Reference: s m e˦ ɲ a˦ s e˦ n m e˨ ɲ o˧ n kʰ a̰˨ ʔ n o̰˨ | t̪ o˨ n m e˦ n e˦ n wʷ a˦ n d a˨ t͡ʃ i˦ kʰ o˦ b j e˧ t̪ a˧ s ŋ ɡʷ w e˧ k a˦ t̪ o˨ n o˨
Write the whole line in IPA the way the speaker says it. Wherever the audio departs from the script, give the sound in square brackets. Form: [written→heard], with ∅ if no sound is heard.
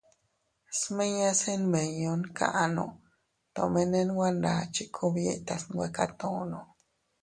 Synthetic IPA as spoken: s m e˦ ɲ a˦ s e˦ n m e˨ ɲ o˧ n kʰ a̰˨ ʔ n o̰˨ | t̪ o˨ [n→∅] m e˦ n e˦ n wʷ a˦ n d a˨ t͡ʃ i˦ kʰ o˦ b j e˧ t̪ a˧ s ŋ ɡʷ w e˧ k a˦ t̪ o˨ n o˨